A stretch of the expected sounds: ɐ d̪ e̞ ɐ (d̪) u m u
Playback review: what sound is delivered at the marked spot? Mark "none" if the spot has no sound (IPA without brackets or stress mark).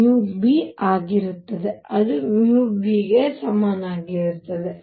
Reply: d̪